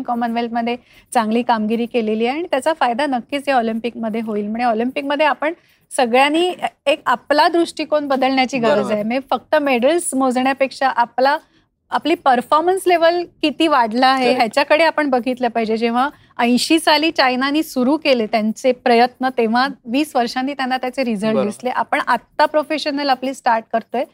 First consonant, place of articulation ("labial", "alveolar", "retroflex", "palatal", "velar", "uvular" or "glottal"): velar